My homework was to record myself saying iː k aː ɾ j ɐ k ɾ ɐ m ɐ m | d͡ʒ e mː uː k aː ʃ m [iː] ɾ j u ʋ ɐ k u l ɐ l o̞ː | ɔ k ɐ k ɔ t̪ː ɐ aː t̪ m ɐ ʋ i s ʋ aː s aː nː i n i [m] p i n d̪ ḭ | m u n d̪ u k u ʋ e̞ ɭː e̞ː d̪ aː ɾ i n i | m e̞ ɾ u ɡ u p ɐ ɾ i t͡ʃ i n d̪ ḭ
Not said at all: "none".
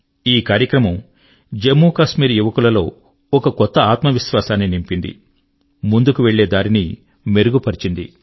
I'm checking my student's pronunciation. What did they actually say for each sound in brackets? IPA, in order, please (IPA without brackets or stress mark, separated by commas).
iː, m